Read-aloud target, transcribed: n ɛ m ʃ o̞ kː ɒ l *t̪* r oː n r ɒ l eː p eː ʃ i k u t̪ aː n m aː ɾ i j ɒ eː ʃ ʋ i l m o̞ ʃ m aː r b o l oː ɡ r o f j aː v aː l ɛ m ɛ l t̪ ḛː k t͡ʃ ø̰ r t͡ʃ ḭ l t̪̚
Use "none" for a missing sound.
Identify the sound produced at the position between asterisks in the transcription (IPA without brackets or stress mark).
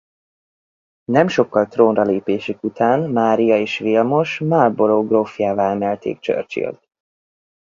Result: t̪